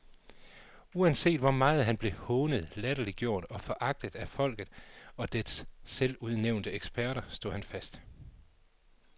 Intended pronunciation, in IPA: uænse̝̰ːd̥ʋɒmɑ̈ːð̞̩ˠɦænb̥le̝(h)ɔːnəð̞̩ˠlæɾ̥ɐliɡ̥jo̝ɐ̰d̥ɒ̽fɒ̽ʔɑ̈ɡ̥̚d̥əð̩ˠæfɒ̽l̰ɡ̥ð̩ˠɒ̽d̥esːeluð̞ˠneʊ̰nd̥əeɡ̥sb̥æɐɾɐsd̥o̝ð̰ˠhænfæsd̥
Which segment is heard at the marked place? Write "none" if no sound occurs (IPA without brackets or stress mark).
h